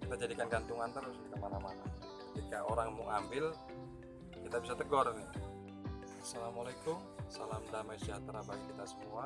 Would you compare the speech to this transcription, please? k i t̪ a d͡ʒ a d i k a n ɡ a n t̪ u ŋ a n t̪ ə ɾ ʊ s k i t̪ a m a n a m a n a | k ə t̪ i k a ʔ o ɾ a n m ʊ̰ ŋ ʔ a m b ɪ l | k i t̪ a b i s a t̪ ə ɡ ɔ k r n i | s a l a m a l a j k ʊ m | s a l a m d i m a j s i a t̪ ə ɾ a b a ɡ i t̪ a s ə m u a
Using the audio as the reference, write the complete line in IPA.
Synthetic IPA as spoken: k i t̪ a d͡ʒ a d i k a n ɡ a n t̪ u ŋ a n t̪ ə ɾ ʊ s k i t̪ a m a n a m a n a | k ə t̪ i k a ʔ o ɾ a ŋ m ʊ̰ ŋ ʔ a m b ɪ l | k i t̪ a b i s a t̪ ə ɡ ɔ r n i | s a l a m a l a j k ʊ m | s a l a m d a m a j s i a t̪ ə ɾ a b a k i t̪ a s ə m u a